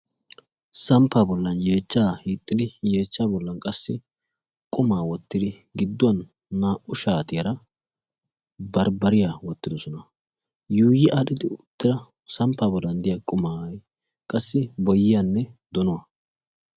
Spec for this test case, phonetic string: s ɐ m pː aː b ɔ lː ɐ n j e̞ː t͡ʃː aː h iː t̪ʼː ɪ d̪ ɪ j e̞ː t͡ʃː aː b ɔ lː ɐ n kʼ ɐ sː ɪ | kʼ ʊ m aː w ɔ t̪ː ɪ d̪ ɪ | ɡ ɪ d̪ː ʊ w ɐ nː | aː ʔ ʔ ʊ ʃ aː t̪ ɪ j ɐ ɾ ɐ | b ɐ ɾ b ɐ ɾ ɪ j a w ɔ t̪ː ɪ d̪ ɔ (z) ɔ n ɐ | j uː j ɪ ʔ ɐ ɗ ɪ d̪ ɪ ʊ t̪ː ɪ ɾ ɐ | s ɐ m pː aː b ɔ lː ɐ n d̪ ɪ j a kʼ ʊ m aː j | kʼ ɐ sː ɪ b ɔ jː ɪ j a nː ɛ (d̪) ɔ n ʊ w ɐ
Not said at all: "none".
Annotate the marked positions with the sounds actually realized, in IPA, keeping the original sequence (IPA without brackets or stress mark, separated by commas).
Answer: s, d̪